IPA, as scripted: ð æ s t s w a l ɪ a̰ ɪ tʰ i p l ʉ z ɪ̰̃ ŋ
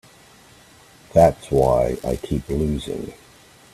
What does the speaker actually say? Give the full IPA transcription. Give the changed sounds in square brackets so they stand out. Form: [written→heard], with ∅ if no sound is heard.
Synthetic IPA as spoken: ð æ [s→∅] t s w a [l→∅] ɪ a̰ ɪ [tʰ→kʰ] i p l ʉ z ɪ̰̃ ŋ